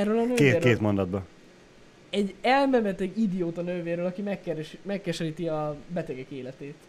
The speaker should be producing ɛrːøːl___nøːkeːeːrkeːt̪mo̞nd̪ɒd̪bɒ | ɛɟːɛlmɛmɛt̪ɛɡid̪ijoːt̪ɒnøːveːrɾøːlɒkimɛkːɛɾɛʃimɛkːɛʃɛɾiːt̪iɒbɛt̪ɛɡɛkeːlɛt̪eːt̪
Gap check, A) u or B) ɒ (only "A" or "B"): B